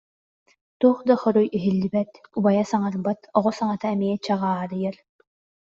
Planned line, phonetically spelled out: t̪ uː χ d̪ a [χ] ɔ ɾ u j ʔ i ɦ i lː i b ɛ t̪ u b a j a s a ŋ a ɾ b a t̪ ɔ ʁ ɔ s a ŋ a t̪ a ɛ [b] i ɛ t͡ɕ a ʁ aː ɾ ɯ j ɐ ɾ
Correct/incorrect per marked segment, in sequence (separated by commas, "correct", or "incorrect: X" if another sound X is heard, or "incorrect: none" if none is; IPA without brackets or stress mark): correct, incorrect: m